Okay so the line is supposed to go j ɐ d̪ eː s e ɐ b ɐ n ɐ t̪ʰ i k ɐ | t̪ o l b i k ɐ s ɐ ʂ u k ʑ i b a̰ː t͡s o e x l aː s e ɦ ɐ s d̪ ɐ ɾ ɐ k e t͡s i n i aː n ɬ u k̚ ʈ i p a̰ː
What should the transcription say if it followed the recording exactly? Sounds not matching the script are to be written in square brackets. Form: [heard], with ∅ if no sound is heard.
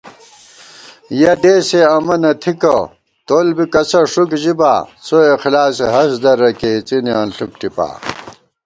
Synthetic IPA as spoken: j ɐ d̪ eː s e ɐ [m] ɐ n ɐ t̪ʰ i k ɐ | t̪ o l b i k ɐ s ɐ ʂ u k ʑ i b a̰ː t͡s o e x l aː s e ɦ ɐ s d̪ ɐ ɾ ɐ k e t͡s i n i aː n ɬ u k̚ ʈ i p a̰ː